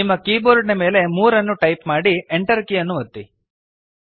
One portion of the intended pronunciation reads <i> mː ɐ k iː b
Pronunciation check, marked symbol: correct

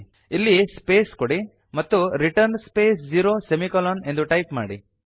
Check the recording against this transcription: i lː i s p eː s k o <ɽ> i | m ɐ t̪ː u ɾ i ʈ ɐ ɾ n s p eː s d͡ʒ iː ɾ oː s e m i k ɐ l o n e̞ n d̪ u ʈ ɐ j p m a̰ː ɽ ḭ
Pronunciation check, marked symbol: correct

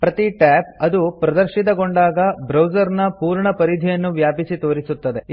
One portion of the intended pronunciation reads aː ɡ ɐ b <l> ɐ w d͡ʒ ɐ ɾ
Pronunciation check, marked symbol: incorrect: ɾ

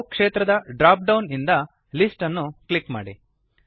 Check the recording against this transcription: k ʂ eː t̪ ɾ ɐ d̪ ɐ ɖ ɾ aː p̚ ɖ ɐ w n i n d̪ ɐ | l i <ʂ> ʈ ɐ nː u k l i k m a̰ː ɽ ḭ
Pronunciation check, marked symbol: incorrect: s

